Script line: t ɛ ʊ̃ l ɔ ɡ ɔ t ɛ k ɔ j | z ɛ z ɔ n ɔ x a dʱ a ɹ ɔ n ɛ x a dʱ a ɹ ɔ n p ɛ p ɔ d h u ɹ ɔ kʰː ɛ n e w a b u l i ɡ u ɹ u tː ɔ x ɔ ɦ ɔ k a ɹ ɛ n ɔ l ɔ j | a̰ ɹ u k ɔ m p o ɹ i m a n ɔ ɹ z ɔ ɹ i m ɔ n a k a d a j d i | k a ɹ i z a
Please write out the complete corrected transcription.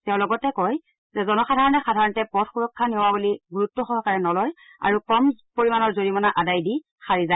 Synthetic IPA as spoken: t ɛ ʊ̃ l ɔ ɡ ɔ t ɛ k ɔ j | z ɛ z ɔ n ɔ x a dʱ a ɹ ɔ n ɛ x a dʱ a ɹ ɔ n t ɛ p ɔ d x u ɹ ɔ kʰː a n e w a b u l i ɡ u ɹ u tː ɔ x ɔ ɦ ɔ k a ɹ ɛ n ɔ l ɔ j | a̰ ɹ u k ɔ m p o ɹ i m a n ɔ ɹ z o ɹ i m ɔ n a ʔ a d a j d i | x a ɹ i z a